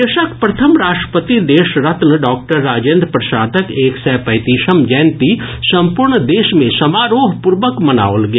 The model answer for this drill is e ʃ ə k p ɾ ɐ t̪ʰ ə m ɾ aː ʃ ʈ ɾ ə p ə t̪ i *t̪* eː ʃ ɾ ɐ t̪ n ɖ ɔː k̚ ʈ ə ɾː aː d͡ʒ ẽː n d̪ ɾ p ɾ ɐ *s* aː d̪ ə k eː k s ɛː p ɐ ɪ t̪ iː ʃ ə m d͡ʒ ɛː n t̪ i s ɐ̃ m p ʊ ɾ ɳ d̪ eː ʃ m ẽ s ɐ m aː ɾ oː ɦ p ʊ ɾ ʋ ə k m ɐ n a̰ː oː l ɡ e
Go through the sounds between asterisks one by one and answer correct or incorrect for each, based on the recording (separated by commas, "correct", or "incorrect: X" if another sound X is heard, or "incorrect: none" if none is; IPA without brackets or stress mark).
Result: incorrect: d̪, incorrect: ʃ